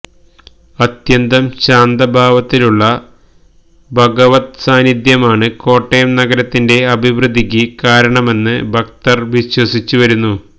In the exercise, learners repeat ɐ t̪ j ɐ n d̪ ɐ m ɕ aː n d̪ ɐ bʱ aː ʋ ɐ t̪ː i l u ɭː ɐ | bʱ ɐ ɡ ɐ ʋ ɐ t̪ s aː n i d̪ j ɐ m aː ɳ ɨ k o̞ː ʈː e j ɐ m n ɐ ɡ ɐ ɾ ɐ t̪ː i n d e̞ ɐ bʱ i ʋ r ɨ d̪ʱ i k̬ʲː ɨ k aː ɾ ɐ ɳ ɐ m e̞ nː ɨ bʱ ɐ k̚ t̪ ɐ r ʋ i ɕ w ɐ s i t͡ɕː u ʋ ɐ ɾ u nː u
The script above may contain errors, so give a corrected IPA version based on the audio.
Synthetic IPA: ɐ t̪ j ɐ n d̪ ɐ m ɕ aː n d̪ ɐ bʱ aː ʋ ɐ t̪ː i l u ɭː ɐ | bʱ ɐ ɡ ɐ ʋ ɐ t̪ s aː n i d̪ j ɐ m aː ɳ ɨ k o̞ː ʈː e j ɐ m n ɐ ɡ ɐ ɾ ɐ t̪ː i n d e̞ ɐ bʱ i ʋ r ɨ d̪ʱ i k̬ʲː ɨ k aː ɾ ɐ ɳ ɐ m e̞ nː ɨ bʱ ɐ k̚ t̪ ɐ r ʋ i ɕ w ɐ s i t͡ɕː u ʋ ɐ ɾ u nː u

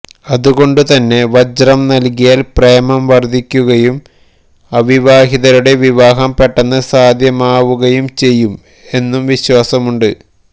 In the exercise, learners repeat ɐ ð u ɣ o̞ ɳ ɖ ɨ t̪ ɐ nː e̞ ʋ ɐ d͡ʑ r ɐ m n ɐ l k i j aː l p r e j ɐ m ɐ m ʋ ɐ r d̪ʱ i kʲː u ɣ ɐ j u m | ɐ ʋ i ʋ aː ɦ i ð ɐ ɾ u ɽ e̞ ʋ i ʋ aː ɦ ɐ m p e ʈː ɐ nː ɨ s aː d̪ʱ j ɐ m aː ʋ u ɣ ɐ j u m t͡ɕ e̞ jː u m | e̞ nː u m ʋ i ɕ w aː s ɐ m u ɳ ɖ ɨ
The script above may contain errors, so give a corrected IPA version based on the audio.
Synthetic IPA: ɐ ð u ɣ o̞ ɳ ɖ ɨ t̪ ɐ nː e̞ ʋ ɐ d͡ʑ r ɐ m n ɐ l k i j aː l p r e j ɐ m ɐ m ʋ ɐ r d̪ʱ i kʲː u ɣ ɐ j u m | ɐ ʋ i ʋ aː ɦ i ð ɐ ɾ u ɽ e̞ ʋ i ʋ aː ɦ ɐ m p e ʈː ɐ nː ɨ s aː d̪ʱ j ɐ m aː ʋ u ɣ ɐ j u m t͡ɕ e̞ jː u m | e̞ nː u m ʋ i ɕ w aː s ɐ m u ɳ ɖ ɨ

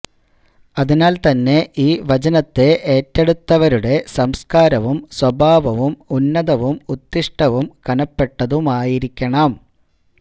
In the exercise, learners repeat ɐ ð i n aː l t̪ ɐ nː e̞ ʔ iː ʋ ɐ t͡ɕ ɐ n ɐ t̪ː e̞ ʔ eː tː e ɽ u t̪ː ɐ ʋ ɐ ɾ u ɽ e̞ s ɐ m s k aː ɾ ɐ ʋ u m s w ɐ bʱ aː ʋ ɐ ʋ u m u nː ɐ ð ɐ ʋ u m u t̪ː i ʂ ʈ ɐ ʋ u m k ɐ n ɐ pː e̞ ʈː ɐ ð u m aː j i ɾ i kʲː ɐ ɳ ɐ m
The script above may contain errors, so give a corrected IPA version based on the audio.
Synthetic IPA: ɐ ð i n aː l t̪ ɐ nː e̞ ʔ iː ʋ ɐ t͡ɕ ɐ n ɐ t̪ː e̞ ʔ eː tː e ɽ u t̪ː ɐ ʋ ɐ ɾ u ɽ e̞ s ɐ m s k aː ɾ ɐ ʋ u m s w ɐ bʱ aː ʋ ɐ ʋ u m u nː ɐ ð ɐ ʋ u m u t̪ː i ʂ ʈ ɐ ʋ u m k ɐ n ɐ pː e̞ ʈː ɐ ð u m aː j i ɾ i kʲː ɐ ɳ ɐ m

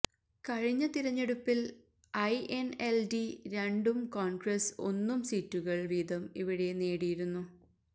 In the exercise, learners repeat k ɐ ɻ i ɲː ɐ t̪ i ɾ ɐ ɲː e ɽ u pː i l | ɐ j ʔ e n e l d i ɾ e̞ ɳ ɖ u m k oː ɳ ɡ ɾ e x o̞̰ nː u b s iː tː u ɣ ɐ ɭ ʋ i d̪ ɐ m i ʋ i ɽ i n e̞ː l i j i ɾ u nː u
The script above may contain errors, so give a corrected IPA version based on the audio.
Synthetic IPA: k ɐ ɻ i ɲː ɐ t̪ i ɾ ɐ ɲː e ɽ u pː i l | ɐ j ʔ e n e l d i ɾ e̞ ɳ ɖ u m k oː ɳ ɡ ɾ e s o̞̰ nː u m s iː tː u ɣ ɐ ɭ ʋ iː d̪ ɐ m i ʋ i ɽ e n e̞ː ɽ i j i ɾ u nː u

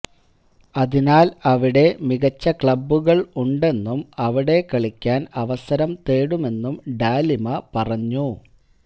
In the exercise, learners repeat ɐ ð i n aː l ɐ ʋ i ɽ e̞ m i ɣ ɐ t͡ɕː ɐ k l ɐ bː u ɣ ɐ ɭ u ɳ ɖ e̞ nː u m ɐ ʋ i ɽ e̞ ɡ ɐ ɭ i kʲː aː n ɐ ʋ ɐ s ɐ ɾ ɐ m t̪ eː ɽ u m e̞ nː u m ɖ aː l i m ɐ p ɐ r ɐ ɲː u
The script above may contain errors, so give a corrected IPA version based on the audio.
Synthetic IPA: ɐ ð i n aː l ɐ ʋ i ɽ e̞ m i ɣ ɐ t͡ɕː ɐ k ɭ ɐ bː u ɣ ɐ ɭ u ɳ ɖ e̞ nː u m ɐ ʋ i ɽ e̞ k ɐ ɭ i kʲː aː n ɐ ʋ ɐ s ɐ ɾ ɐ m t̪ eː ɽ u m e̞ nː u m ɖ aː l i m ɐ p ɐ r ɐ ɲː u

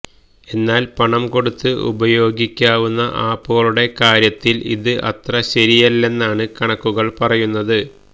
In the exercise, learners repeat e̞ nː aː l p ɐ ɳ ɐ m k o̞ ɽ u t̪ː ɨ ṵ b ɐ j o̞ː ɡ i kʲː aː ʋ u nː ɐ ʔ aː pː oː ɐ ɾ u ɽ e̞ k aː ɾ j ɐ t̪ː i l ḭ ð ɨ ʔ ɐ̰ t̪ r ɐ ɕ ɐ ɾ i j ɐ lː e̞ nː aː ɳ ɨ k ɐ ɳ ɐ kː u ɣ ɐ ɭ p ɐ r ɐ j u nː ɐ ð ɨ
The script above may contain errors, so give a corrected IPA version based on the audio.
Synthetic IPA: e̞ nː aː l p ɐ ɳ ɐ m k o̞ ɽ u t̪ː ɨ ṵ b ɐ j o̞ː ɡ i kʲː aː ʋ u nː ɐ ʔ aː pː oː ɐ ɭ u ɽ e̞ k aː ɾ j ɐ t̪ː i l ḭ ð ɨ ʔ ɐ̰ t̪ r ɐ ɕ ɐ ɾ i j ɐ lː e̞ nː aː ɳ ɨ k ɐ ɳ ɐ kː u ɣ ɐ ɭ p ɐ r ɐ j u nː ɐ ð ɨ

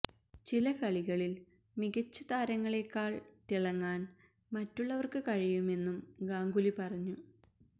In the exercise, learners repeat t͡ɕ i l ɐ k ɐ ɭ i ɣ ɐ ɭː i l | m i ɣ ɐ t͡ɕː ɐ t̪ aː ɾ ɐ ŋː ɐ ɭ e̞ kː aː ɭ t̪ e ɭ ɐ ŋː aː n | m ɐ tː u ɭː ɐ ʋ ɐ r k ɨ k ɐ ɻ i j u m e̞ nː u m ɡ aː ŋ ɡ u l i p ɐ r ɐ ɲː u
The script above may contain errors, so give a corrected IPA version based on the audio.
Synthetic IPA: t͡ɕ i l ɐ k ɐ ɭ i ɣ ɐ ɭ i l | m i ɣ ɐ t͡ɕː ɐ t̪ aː ɾ ɐ ŋː ɐ ɭ e̞ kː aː ɭ t̪ i ɭ ɐ ŋː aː n | m ɐ tː u ɭː ɐ ʋ ɐ r k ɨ k ɐ ɻ i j u m e̞ nː u m ɡ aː ŋ ɡ u l i p ɐ r ɐ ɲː u

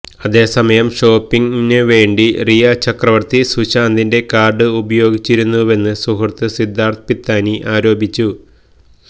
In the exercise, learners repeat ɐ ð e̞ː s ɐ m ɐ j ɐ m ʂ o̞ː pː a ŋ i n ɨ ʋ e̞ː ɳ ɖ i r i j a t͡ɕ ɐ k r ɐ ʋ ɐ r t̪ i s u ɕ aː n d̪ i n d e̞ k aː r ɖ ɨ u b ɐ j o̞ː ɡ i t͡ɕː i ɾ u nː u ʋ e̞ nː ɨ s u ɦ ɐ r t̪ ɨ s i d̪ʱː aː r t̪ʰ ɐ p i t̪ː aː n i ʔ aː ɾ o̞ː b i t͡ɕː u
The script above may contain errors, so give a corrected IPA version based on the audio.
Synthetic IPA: ɐ ð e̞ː s ɐ m ɐ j ɐ m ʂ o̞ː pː i ŋ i n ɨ ʋ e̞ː ɳ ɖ i r i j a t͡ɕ ɐ k r ɐ ʋ ɐ r t̪ i s u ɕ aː n d̪ i n d e̞ k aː r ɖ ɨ u b ɐ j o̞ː ɡ i t͡ɕː i ɾ u nː u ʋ e̞ nː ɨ s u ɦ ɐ r t̪ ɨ s i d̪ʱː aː r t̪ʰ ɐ p i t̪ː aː n i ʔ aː ɾ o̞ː b i t͡ɕː u

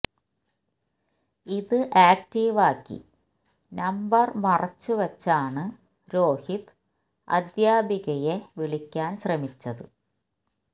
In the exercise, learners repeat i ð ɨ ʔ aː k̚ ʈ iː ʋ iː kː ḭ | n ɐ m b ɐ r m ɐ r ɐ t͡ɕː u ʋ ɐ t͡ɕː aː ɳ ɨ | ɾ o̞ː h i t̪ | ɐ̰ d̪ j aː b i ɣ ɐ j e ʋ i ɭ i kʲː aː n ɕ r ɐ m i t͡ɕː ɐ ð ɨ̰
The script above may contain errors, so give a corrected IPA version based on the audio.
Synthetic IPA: i ð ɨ ʔ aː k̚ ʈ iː ʋ aː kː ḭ | n ɐ m b ɐ r m ɐ r ɐ t͡ɕː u ʋ ɐ t͡ɕː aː ɳ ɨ | ɾ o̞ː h i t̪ | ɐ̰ d̪ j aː b i ɣ ɐ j e ʋ i ɭ i kʲː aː n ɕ r ɐ m i t͡ɕː ɐ ð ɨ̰

